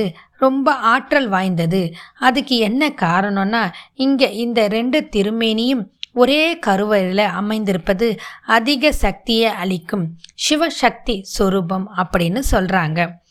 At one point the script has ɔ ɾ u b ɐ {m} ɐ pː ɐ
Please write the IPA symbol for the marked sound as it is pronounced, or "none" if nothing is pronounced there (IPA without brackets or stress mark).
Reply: m